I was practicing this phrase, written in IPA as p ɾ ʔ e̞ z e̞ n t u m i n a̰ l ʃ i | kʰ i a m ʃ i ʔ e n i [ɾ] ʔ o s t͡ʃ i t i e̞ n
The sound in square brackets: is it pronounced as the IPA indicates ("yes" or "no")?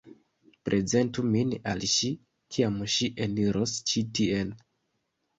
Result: yes